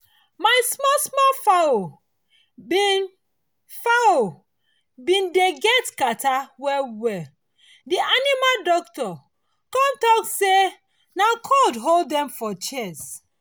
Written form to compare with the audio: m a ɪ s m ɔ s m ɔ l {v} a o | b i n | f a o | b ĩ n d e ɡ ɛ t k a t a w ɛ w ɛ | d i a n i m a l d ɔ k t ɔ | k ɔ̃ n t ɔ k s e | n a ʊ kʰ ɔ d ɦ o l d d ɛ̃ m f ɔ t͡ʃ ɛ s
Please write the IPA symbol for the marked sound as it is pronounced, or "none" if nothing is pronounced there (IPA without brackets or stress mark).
f